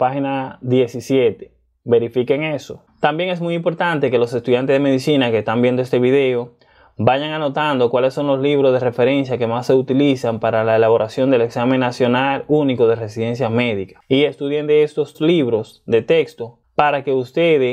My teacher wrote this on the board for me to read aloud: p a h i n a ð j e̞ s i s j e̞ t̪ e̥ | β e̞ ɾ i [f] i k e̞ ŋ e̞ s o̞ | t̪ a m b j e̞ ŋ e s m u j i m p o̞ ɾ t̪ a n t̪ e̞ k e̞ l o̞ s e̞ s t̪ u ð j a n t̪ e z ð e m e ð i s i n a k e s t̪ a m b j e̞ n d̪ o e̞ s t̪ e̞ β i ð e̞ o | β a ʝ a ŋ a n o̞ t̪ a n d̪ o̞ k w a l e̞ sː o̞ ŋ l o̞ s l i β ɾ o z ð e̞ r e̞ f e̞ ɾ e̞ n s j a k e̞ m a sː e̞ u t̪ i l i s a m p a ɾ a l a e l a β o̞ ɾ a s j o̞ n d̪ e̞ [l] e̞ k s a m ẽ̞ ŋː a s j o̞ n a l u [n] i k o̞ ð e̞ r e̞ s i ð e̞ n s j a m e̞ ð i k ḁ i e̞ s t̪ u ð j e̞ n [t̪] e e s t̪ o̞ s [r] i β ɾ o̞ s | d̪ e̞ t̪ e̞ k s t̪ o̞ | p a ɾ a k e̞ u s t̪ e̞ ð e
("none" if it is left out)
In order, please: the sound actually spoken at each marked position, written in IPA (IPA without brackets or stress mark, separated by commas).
f, l, n, d̪, l